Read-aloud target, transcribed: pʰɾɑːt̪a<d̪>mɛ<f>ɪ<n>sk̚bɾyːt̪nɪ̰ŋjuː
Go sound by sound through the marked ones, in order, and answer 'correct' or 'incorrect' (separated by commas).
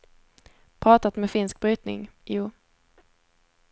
incorrect, correct, correct